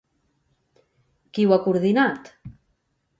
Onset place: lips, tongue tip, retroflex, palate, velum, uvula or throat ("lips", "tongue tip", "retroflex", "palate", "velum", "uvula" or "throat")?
velum